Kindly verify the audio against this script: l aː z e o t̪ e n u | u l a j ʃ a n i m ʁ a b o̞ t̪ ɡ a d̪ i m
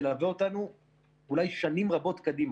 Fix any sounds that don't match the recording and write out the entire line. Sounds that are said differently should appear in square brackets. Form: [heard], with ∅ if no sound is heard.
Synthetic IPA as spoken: l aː [v] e o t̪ [a] n u | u l a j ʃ a n i m ʁ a b o̞ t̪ [k] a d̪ i m